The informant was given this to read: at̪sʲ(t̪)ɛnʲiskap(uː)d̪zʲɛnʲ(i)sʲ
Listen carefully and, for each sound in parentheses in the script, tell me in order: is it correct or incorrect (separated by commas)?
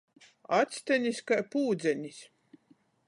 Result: correct, correct, correct